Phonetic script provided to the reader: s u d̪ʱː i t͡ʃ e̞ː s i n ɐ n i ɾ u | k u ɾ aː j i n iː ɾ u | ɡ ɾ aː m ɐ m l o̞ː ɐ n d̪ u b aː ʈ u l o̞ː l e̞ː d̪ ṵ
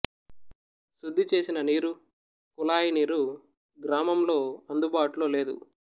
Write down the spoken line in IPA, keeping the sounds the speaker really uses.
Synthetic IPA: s u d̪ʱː i t͡ʃ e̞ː s i n ɐ n iː ɾ u | k u l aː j i n iː ɾ u | ɡ ɾ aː m ɐ m l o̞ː ɐ n d̪ u b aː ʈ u l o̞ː l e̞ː d̪ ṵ

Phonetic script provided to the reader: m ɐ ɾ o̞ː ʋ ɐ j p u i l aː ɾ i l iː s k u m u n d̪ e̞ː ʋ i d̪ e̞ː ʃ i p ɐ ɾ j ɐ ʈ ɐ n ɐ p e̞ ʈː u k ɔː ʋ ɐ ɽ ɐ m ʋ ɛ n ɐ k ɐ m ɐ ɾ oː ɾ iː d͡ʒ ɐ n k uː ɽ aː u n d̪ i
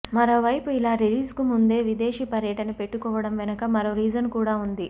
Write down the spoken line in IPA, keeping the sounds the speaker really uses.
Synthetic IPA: m ɐ ɾ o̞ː ʋ ɐ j p u i l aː ɾ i l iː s k u m u n d̪ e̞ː ʋ i d̪ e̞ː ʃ i p ɐ ɾ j ɐ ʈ ɐ n ɐ p e̞ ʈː u k ɔː ʋ ɐ ɽ ɐ m ʋ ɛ n ɐ k ɐ m ɐ ɾ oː ɾ iː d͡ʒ ɐ n k uː ɽ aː u n d̪ i

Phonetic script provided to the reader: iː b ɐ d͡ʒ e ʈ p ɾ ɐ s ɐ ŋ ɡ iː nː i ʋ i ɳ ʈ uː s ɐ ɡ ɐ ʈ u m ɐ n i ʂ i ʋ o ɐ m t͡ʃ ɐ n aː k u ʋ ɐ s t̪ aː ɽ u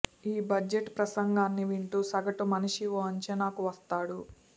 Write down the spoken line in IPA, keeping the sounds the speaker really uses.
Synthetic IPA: iː b ɐ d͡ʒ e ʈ p ɾ ɐ s ɐ ŋ ɡ aː nː i ʋ i ɳ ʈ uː s ɐ ɡ ɐ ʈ u m ɐ n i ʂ i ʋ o ɐ ɲ t͡ʃ ɐ n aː k u ʋ ɐ s t̪ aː ɽ u

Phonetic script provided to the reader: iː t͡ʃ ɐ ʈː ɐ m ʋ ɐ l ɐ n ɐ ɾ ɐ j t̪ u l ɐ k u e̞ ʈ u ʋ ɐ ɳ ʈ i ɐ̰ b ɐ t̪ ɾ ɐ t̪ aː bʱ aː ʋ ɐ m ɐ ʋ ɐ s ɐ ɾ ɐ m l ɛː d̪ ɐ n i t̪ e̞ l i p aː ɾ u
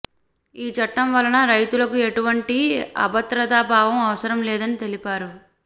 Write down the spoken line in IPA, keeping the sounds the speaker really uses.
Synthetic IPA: iː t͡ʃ ɐ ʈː ɐ m ʋ ɐ l ɐ n ɐ ɾ ɐ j t̪ u l ɐ k u e̞ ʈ u ʋ ɐ ɳ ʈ i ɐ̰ b ɐ t̪ ɾ ɐ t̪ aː bʱ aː ʋ ɐ m ɐ ʋ ɐ s ɐ ɾ ɐ m l ɛː d̪ ɐ n i t̪ e̞ l i p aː ɾ u

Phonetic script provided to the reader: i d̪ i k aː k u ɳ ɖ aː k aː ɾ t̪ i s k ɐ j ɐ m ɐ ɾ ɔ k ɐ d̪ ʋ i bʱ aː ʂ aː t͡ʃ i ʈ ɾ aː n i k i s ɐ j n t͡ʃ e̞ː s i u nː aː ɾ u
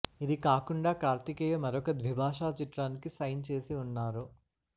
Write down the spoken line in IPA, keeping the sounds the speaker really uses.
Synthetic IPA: i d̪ i k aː k u ɳ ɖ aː k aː ɾ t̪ i k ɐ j ɐ m ɐ ɾ ɔ k ɐ d̪ ʋ i bʱ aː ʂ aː t͡ʃ i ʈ ɾ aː n i k i s ɐ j n t͡ʃ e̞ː s i u nː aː ɾ u

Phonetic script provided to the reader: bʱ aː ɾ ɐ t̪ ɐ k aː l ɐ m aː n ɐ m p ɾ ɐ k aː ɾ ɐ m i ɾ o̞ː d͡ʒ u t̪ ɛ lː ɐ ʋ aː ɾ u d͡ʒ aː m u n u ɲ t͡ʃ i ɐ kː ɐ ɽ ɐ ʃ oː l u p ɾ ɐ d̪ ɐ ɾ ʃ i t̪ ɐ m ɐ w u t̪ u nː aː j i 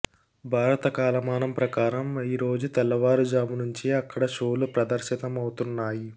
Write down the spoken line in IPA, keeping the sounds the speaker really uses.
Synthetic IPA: bʱ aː ɾ ɐ t̪ ɐ k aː l ɐ m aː n ɐ m p ɾ ɐ k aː ɾ ɐ m i ɾ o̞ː d͡ʒ u t̪ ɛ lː ɐ ʋ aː ɾ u d͡ʒ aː m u n u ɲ t͡ʃ i ɐ kː ɐ ɽ ɐ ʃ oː l u p ɾ ɐ d̪ ɐ ɾ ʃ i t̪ ɐ m ɐ w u t̪ u nː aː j i

